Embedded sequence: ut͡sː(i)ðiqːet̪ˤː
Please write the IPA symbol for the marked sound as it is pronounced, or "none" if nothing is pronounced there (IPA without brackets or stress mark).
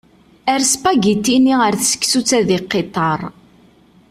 æ